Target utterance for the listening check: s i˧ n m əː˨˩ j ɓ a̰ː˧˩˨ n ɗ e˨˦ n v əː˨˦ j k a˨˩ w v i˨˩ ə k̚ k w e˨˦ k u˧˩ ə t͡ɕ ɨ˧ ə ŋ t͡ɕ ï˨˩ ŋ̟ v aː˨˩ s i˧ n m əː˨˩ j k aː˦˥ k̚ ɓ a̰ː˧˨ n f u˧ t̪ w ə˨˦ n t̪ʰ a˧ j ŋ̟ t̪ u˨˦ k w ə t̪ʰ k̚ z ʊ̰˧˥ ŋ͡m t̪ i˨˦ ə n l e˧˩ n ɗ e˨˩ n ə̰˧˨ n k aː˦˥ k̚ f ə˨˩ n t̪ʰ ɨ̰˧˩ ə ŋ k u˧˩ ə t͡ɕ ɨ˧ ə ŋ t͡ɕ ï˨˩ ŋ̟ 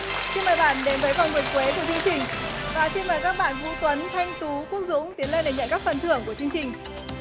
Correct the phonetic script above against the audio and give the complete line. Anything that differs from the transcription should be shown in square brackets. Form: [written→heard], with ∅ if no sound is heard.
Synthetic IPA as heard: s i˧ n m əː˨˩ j ɓ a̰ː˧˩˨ n ɗ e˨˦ n v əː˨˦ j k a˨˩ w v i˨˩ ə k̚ k w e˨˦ k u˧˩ ə t͡ɕ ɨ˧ ə ŋ t͡ɕ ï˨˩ ŋ̟ v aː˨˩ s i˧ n m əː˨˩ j k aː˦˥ k̚ ɓ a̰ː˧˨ n [f→v] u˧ t̪ w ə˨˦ n t̪ʰ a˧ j ŋ̟ t̪ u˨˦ k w ə [t̪ʰ→∅] k̚ z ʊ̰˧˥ ŋ͡m t̪ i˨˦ ə n l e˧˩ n ɗ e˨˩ [n→ɲ] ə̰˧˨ n k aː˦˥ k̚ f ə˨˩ n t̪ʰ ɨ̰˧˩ ə ŋ k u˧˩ ə t͡ɕ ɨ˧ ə ŋ t͡ɕ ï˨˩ ŋ̟